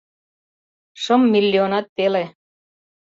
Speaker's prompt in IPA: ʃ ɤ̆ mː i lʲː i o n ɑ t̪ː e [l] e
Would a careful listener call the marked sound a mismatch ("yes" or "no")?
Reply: no